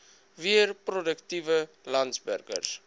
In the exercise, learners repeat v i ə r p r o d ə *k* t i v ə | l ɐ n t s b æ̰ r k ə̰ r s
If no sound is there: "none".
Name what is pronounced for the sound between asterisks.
k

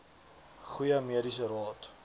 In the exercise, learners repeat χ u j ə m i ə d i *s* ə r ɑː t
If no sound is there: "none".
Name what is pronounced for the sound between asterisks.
s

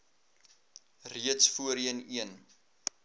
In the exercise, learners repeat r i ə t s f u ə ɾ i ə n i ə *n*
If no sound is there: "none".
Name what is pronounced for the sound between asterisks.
n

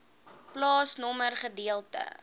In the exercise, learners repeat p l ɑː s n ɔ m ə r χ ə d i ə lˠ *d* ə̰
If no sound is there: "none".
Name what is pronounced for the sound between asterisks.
t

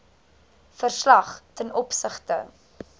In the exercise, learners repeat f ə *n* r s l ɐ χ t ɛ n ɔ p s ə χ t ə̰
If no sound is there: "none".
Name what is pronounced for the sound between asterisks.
none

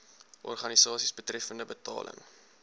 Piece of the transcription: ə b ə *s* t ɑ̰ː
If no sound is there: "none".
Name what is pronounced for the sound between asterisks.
none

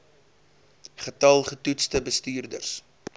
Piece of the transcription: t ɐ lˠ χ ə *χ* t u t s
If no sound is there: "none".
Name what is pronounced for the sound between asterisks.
none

